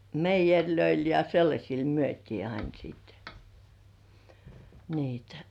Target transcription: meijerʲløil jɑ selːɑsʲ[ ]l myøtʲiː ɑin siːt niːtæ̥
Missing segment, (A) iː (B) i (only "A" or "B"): B